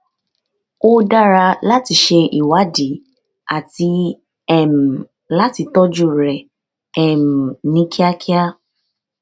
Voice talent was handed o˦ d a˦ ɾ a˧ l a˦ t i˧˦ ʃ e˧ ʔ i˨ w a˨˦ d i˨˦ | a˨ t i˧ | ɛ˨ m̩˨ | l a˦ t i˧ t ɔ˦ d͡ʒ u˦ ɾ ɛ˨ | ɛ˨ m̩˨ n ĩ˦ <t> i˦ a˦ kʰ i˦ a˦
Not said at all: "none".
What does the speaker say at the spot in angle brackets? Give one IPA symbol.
k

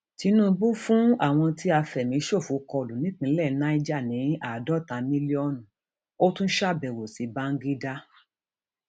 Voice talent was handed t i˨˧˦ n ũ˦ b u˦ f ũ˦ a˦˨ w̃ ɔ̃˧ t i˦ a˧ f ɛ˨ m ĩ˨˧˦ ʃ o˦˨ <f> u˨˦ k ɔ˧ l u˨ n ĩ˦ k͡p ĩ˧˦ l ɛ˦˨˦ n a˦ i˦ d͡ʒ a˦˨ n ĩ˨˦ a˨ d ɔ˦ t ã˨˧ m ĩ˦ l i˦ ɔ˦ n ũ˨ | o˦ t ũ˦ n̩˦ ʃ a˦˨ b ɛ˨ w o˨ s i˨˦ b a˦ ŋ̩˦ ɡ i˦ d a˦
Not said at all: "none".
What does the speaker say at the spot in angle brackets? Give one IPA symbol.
f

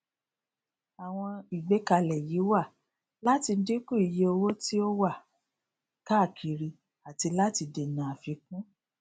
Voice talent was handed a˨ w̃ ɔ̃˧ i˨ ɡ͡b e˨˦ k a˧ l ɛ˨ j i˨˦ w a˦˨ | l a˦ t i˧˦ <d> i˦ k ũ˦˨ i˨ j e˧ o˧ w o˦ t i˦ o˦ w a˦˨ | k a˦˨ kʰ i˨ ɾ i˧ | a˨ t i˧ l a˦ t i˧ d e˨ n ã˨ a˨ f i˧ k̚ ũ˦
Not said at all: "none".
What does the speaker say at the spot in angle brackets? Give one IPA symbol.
d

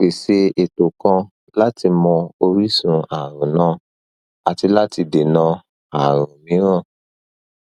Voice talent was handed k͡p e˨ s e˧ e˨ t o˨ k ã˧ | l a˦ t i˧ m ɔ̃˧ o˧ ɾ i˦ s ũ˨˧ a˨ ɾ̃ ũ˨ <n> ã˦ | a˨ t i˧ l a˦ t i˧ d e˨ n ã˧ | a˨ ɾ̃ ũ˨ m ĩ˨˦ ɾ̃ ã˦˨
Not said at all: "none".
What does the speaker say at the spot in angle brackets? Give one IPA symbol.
n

